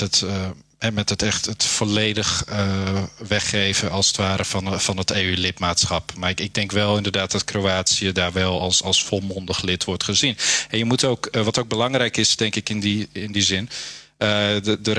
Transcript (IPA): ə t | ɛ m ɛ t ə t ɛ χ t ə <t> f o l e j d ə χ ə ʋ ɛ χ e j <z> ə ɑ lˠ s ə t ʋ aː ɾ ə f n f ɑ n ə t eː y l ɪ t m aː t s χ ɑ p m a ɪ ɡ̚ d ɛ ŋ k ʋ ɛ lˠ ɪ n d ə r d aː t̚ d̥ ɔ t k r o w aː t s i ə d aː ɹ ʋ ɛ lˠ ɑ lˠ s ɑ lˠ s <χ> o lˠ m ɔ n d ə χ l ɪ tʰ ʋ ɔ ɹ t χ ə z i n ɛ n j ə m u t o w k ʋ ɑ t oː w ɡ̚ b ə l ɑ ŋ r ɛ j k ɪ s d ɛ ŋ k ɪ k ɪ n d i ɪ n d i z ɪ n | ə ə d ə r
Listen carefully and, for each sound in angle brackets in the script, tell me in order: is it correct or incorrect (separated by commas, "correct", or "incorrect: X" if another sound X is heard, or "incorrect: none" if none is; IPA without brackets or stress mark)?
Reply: correct, incorrect: v, incorrect: f